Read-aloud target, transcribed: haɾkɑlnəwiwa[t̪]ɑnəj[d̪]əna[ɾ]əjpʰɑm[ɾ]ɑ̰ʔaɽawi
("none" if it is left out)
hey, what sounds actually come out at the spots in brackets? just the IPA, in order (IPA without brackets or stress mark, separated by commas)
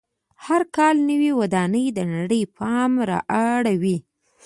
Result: d̪, d̪, ɽ, ɾ